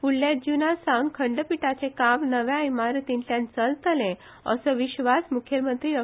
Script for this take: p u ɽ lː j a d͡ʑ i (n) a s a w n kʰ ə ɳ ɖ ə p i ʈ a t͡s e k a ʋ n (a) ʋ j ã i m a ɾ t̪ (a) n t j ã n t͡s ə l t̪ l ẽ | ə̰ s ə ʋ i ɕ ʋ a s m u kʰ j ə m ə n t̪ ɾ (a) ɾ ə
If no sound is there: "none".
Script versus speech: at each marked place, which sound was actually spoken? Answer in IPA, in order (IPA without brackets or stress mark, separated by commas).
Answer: n, ə, i, i